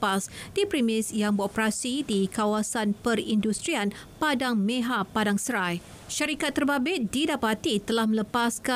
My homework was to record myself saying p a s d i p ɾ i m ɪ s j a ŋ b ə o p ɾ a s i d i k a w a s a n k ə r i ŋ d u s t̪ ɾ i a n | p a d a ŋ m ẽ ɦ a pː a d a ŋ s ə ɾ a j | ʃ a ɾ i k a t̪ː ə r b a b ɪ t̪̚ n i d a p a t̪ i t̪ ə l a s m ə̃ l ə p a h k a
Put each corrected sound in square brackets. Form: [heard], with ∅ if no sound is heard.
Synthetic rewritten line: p a s d i p ɾ i m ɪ s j a ŋ b ə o p ɾ a s i d i k a w a s a n [p] ə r i [n] d u s t̪ ɾ i a n | p a d a ŋ m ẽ ɦ a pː a d a ŋ s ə ɾ a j | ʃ a ɾ i k a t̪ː ə r b a b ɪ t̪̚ [d] i d a p a t̪ i t̪ ə l a [h] m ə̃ l ə p a [s] k a